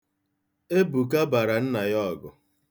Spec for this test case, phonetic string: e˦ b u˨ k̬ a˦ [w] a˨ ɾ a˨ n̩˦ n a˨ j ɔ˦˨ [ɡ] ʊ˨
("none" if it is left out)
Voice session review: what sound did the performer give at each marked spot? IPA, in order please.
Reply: b, ɡ

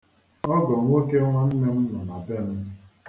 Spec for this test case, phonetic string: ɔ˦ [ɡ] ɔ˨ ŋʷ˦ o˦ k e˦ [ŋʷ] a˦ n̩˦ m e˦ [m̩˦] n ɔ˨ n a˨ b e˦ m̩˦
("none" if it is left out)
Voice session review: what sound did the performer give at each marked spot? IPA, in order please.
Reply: ɡ, ŋʷ, m̩˦

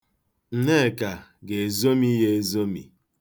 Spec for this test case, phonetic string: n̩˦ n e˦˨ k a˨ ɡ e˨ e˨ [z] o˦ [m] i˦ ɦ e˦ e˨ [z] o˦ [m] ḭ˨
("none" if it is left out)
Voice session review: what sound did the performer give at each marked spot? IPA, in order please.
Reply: z, m, z, m

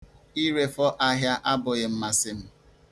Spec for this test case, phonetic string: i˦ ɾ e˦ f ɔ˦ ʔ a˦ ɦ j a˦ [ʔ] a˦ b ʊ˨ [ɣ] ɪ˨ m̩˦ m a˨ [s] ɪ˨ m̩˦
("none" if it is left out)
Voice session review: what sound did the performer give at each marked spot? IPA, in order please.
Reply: ʔ, ɣ, s

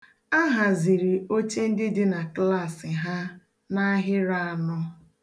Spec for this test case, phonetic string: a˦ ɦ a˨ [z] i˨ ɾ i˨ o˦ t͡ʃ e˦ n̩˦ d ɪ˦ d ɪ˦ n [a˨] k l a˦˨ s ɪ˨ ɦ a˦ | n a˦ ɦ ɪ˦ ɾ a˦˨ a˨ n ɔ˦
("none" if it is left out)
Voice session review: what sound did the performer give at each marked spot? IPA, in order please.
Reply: z, a˨

